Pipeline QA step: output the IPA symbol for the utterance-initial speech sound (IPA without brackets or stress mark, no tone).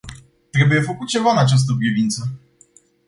t̪